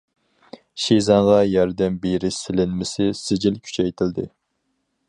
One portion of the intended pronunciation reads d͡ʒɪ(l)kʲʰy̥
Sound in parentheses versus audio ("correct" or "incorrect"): correct